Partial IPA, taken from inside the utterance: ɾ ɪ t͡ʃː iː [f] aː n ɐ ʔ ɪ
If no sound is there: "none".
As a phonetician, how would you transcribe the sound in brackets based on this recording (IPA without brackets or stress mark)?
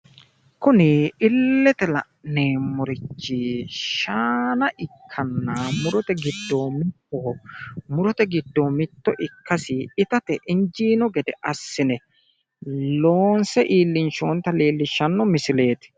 ʃ